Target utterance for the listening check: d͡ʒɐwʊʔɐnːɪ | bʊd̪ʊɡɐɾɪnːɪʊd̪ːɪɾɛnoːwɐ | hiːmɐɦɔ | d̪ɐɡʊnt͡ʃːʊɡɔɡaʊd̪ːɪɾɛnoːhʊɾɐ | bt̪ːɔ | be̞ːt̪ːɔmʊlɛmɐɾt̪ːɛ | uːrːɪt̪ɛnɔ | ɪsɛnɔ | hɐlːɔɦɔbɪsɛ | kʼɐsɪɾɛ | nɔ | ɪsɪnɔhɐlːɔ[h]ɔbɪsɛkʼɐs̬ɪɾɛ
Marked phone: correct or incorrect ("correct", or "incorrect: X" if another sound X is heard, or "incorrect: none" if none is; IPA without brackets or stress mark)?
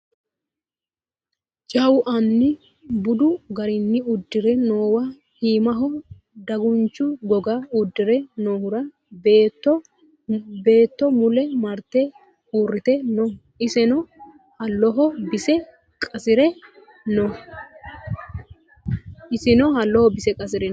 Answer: correct